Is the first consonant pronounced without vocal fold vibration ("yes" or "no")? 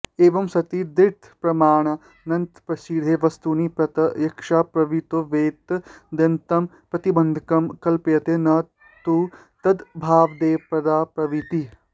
no